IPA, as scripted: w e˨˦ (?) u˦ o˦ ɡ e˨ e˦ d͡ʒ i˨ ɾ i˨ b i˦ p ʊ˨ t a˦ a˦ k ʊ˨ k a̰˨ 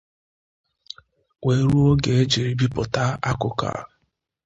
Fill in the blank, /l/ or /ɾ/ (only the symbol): ɾ